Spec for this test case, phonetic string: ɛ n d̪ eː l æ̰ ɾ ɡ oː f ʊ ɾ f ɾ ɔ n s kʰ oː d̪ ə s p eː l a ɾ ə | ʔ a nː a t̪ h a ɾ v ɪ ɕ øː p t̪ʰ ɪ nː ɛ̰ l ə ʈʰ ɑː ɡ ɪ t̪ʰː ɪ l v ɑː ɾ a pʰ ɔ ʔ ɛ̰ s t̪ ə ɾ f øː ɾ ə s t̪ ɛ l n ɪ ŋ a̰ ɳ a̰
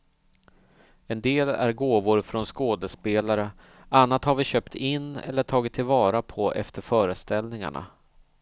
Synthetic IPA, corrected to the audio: ɛ n d̪ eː l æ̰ ɾ ɡ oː v ʊ ɾ f ɾ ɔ n s k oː d̪ ə s p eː l a ɾ ə | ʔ a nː a t̪ h a ɾ v ɪ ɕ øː p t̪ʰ ɪ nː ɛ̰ lː ə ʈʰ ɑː ɡ ɪ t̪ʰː ɪ l v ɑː ɾ a pʰ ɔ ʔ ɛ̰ f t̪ ə ɾ f œː ɾ ə s t̪ ɛ l n ɪ ŋ a̰ ɳ a̰